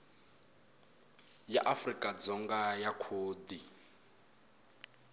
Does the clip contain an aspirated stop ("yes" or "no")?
yes